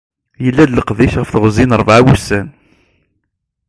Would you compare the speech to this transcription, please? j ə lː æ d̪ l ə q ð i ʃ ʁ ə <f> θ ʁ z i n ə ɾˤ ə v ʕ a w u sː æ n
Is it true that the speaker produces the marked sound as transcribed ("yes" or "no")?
yes